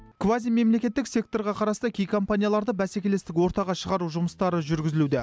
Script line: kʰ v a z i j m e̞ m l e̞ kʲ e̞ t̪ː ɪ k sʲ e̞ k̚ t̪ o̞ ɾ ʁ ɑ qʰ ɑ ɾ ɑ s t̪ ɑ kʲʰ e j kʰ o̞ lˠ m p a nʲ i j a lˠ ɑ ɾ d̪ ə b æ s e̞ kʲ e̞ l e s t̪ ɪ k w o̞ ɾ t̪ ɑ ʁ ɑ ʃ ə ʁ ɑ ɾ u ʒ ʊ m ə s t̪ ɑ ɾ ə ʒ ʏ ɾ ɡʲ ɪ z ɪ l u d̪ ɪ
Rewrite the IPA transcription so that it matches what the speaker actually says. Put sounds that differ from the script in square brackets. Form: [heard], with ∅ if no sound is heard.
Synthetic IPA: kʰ v a z i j m e̞ m l e̞ kʲ e̞ t̪ː ɪ k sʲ e̞ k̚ t̪ o̞ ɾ ʁ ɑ qʰ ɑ ɾ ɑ s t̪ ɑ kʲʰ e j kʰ o̞ [∅] m p a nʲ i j a lˠ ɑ ɾ d̪ ə b æ s e̞ kʲ e̞ l e s t̪ ɪ k w o̞ ɾ t̪ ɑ ʁ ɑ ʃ ə ʁ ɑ ɾ u ʒ ʊ m ə s t̪ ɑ ɾ ə ʒ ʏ ɾ ɡʲ ɪ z ɪ l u d̪ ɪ